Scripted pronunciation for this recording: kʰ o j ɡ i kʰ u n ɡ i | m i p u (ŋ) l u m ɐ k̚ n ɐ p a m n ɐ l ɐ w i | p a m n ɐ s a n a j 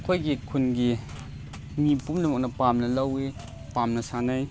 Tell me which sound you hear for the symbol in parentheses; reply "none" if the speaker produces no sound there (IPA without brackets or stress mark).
m